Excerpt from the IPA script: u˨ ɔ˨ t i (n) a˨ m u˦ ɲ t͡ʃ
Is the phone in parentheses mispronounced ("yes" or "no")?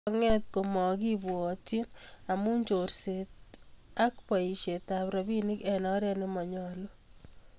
no